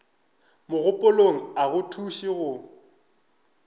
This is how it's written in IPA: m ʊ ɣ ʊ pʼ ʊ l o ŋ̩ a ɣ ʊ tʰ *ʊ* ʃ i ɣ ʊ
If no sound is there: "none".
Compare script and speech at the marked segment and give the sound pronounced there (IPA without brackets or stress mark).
u